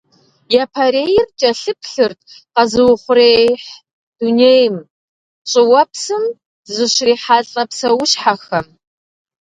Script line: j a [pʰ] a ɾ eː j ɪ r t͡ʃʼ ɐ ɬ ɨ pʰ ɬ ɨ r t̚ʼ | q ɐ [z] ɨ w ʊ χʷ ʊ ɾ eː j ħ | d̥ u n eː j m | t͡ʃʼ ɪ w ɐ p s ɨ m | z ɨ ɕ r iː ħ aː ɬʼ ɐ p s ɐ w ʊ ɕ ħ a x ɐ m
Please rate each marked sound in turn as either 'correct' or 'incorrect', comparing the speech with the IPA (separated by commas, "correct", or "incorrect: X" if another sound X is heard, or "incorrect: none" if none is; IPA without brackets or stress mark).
correct, correct